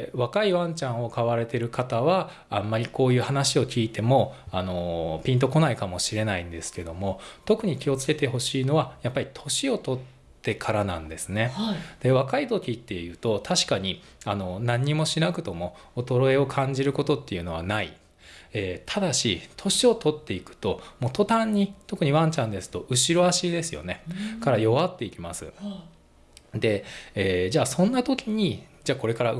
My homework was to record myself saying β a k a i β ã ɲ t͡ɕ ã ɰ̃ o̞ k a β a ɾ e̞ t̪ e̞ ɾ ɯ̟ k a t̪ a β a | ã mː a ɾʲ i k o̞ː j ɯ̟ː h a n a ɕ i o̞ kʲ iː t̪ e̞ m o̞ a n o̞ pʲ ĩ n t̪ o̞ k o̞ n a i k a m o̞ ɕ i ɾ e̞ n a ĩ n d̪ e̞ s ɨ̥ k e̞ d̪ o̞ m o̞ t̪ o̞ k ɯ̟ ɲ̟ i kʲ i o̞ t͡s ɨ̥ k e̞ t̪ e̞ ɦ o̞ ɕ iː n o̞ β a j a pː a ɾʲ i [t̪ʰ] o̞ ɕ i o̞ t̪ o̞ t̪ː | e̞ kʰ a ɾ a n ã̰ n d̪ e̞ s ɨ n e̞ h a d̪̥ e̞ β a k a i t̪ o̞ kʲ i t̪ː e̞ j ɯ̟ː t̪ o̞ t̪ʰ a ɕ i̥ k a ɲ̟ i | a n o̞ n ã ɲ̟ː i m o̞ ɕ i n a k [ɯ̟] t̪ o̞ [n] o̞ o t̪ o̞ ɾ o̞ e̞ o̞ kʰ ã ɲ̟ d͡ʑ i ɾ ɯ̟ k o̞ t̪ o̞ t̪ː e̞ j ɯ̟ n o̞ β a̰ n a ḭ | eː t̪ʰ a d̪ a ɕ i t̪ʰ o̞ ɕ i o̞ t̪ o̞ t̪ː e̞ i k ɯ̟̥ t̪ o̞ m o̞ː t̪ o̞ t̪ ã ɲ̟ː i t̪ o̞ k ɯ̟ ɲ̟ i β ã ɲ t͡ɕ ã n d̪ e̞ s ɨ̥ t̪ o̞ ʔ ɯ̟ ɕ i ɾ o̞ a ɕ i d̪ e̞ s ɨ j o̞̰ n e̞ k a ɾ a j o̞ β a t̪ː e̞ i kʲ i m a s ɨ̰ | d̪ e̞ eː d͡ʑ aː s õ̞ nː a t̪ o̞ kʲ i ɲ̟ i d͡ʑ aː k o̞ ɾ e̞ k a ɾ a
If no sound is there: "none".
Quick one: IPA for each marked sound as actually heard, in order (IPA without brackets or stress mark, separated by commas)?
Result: t̪ʰ, ɯ̟, m